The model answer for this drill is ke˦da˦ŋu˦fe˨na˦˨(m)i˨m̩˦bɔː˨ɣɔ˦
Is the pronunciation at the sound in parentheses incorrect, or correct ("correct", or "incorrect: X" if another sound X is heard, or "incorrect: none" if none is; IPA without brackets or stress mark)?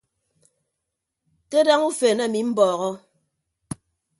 correct